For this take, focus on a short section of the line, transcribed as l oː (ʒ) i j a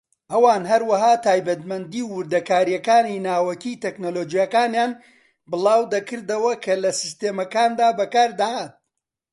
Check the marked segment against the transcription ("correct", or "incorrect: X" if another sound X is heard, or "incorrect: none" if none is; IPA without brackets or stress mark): incorrect: d͡ʒ